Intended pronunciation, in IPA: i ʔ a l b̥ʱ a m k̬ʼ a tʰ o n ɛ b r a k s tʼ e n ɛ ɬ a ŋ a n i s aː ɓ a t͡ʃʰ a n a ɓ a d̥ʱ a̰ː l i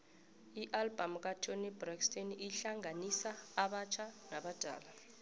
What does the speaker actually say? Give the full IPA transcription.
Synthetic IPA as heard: i ʔ a l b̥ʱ a m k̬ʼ a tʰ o n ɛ b r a k s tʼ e n i ɬ a ŋ a n i s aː ɓ a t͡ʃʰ a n a ɓ a d̥ʱ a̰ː l a